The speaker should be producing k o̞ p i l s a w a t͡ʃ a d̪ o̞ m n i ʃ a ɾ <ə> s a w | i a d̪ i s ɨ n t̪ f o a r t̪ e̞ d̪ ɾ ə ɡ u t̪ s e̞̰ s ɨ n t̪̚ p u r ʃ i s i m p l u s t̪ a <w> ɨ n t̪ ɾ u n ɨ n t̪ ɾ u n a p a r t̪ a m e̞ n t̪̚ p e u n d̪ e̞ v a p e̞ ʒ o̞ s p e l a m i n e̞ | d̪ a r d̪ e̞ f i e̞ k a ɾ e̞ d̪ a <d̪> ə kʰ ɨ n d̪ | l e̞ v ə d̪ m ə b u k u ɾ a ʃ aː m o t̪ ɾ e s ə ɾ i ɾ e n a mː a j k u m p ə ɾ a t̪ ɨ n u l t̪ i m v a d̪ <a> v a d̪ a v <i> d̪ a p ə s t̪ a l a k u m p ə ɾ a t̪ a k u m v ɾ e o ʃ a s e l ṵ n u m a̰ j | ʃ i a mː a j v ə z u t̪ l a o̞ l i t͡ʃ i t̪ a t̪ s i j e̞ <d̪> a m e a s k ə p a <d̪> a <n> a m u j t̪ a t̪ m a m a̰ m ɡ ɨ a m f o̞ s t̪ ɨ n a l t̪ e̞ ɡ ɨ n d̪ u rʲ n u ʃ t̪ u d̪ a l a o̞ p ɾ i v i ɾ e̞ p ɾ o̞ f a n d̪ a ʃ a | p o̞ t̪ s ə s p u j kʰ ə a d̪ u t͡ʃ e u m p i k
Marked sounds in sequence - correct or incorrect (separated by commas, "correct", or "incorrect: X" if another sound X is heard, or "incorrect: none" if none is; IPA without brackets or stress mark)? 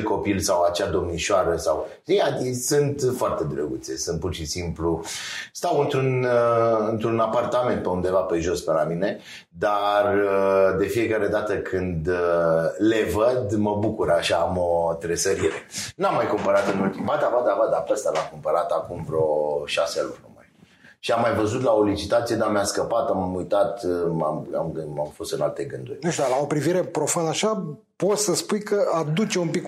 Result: correct, correct, incorrect: t̪, correct, incorrect: a, correct, incorrect: t̪, incorrect: m